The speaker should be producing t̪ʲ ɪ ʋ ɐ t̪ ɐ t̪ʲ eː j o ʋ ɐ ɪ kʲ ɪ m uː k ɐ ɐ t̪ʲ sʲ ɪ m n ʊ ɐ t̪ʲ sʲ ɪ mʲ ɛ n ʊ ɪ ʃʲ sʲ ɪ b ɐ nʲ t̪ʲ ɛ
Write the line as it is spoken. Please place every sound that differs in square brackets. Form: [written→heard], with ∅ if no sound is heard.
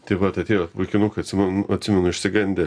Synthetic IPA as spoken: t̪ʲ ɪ ʋ ɐ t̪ ɐ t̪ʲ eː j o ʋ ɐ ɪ kʲ ɪ [m→n] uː k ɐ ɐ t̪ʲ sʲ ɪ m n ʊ ɐ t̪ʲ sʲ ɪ mʲ ɛ n ʊ ɪ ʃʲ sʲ ɪ [b→ɡ] ɐ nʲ [t̪ʲ→d̪ʲ] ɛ